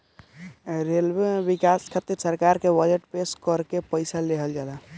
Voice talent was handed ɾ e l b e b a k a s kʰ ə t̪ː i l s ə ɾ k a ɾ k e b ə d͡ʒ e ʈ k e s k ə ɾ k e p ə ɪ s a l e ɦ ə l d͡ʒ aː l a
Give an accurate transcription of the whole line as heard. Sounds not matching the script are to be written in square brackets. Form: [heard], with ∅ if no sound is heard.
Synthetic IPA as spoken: ɾ e l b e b [i] k a s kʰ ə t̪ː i [ɾ] s ə ɾ k a ɾ k e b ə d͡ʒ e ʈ [p] e s k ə ɾ k e p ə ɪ s a l e ɦ ə l d͡ʒ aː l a